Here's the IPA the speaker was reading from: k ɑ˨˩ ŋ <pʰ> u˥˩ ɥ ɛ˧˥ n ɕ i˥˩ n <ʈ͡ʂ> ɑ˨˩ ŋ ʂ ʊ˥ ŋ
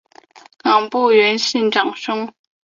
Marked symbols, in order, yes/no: no, yes

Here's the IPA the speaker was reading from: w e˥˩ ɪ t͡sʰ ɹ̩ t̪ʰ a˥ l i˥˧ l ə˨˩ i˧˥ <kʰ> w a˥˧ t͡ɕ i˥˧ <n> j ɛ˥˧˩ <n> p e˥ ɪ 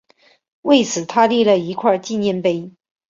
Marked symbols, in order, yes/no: yes, yes, yes

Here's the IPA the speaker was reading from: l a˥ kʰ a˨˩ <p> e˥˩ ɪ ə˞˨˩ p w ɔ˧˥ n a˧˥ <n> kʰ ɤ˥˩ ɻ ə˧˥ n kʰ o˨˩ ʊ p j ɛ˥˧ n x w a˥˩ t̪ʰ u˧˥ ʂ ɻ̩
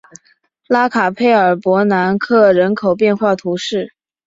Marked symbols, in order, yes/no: no, yes

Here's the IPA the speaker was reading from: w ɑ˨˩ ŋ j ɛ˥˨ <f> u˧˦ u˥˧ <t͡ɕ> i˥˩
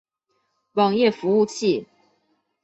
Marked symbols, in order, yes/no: yes, no

